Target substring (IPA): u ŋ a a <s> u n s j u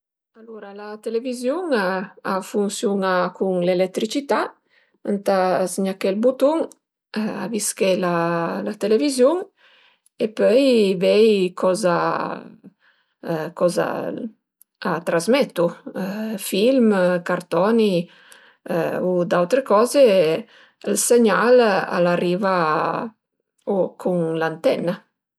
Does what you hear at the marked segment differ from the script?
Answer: yes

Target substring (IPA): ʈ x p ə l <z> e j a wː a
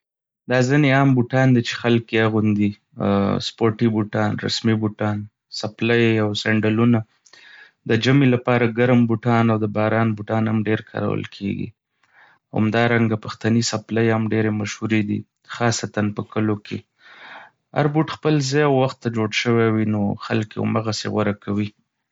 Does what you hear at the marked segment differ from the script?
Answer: no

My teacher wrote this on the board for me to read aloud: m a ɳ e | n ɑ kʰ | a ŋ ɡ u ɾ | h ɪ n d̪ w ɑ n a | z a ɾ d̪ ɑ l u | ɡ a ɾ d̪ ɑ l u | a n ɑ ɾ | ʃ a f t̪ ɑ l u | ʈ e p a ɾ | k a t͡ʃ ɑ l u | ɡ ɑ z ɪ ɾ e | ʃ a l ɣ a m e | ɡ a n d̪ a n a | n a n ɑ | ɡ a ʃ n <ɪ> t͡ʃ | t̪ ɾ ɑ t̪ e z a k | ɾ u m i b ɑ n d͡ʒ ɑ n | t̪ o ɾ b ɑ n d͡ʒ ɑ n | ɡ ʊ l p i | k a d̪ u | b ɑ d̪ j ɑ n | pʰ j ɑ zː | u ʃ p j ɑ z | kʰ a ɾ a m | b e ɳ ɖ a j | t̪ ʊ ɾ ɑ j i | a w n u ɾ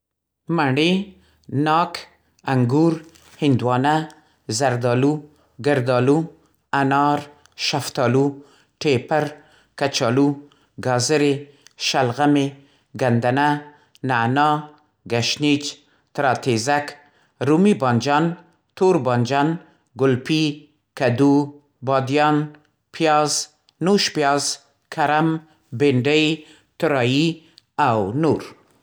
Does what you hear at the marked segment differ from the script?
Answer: yes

